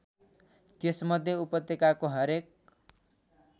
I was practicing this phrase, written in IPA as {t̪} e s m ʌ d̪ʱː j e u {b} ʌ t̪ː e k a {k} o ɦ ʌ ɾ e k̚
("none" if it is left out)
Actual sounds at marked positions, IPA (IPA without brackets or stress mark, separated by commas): t̪, p, k